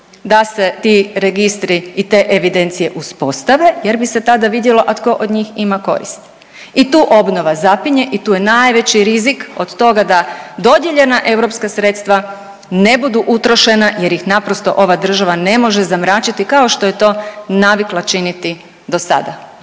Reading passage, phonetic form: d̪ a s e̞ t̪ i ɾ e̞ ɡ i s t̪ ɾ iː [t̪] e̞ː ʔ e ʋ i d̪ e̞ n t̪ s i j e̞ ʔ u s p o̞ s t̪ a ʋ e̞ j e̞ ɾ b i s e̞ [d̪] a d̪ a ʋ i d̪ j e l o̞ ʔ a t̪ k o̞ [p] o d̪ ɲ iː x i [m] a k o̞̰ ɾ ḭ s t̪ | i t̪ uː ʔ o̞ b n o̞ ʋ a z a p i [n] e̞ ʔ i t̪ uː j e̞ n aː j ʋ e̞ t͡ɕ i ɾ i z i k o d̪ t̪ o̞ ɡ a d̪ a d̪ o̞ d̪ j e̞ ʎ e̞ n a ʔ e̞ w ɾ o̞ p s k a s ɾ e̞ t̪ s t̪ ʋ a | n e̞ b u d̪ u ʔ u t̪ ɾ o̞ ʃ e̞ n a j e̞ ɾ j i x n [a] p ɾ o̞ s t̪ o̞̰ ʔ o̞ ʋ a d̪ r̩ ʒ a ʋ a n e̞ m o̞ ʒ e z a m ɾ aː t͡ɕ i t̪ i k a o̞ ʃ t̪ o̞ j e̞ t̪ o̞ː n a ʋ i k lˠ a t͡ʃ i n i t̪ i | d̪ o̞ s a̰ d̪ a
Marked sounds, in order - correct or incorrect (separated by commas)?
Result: correct, incorrect, incorrect, correct, incorrect, correct